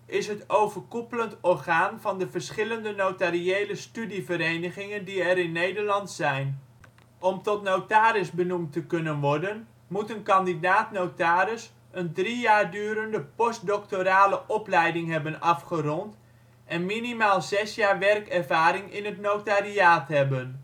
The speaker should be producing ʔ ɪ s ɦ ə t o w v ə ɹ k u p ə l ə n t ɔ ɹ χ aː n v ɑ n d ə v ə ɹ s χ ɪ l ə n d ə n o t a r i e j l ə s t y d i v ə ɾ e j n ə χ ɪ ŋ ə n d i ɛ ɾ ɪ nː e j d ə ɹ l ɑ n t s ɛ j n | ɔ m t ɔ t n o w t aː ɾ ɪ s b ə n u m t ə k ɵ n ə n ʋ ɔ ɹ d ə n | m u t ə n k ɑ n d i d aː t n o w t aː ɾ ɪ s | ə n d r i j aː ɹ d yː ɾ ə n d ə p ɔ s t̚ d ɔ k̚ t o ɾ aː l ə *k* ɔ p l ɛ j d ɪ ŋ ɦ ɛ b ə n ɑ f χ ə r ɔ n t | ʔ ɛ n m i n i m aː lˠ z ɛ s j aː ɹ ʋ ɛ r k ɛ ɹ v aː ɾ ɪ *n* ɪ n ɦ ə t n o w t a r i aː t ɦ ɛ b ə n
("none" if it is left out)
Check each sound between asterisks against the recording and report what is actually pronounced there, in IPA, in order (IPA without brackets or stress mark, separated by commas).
ʔ, ŋ